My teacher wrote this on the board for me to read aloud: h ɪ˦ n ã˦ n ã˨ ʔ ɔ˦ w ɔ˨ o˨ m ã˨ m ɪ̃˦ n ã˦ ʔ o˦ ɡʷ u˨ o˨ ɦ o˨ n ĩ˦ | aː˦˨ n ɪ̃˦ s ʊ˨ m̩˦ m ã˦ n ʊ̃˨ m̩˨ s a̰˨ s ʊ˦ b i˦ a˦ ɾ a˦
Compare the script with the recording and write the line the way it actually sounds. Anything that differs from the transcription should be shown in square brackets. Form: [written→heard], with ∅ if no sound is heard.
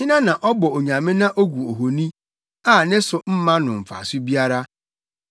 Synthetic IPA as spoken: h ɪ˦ n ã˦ n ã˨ ʔ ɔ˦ [w→b] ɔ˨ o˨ [m→ɲ] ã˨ m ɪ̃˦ n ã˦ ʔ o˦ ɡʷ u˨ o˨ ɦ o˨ n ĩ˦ | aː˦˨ n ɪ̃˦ s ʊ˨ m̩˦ m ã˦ n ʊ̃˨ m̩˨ [s→f] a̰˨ s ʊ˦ b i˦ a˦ ɾ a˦